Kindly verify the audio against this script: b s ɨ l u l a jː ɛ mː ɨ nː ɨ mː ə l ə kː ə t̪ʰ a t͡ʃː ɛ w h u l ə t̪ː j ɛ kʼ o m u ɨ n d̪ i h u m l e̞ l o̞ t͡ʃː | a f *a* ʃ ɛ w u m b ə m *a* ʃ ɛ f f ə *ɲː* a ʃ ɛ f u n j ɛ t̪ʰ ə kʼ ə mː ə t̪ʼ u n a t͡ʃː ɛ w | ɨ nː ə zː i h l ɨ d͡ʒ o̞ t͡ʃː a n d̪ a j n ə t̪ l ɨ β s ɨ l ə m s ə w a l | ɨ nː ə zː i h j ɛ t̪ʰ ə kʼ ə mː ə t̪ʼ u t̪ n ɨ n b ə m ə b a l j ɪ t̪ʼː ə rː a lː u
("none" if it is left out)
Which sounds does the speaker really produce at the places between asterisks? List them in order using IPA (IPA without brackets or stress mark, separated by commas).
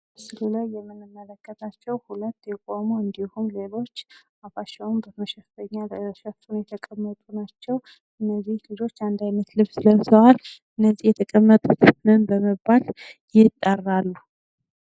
a, ə, ɲː